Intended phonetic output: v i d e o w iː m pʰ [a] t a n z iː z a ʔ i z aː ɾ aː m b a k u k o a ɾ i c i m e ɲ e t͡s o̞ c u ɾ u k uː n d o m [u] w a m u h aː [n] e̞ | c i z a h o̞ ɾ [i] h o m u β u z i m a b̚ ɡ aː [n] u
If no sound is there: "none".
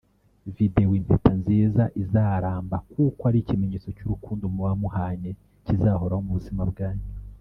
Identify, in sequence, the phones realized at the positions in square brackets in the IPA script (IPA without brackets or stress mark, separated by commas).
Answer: e, u, ɲ, a, ɲ